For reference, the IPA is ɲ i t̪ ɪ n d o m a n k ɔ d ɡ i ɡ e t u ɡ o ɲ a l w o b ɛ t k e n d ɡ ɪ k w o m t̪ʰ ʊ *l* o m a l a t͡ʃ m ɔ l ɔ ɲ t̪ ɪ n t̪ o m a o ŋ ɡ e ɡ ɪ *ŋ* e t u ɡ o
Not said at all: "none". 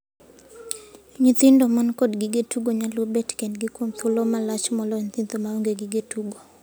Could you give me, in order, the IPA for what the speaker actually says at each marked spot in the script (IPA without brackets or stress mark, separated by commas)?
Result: l, ɡ